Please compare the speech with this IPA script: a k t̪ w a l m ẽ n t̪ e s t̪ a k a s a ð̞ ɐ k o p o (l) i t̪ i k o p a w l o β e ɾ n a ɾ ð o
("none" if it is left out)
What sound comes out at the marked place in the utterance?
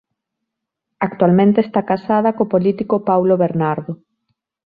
l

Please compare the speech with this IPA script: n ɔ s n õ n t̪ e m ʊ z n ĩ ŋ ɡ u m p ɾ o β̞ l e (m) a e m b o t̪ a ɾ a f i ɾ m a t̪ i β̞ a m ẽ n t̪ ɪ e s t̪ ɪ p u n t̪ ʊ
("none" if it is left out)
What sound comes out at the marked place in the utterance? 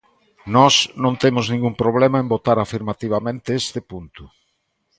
m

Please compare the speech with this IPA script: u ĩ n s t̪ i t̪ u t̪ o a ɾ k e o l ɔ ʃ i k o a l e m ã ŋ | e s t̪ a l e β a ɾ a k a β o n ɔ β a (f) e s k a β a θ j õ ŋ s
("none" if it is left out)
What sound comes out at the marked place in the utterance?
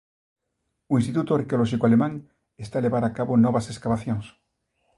s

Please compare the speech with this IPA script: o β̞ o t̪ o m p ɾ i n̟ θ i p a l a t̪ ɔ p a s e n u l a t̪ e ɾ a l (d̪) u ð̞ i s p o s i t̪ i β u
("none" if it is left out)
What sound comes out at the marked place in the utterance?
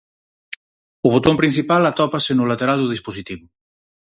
d̪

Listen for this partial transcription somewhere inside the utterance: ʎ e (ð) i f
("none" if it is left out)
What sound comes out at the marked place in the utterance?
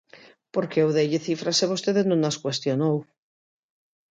θ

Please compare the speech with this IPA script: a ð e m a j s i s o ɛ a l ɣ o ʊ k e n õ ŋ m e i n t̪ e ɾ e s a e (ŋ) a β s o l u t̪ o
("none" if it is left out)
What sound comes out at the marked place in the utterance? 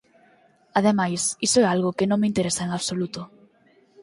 ŋ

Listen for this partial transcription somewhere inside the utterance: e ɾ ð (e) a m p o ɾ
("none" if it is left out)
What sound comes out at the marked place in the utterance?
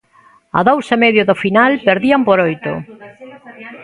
i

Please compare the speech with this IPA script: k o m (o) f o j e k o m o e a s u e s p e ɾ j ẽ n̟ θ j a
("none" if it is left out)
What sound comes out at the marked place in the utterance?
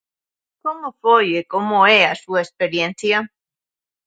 o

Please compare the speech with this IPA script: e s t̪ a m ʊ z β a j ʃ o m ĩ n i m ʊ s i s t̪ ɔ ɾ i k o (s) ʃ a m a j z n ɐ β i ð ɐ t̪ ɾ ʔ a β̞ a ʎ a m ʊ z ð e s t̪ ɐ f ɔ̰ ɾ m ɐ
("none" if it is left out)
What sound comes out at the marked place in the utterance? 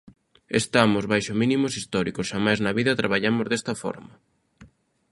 s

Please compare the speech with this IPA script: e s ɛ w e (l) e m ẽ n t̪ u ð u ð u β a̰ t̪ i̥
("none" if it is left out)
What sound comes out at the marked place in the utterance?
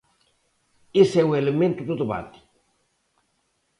l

